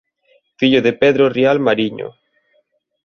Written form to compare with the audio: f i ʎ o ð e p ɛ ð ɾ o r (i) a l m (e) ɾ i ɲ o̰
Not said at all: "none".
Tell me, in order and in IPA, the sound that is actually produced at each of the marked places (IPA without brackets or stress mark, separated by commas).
i, a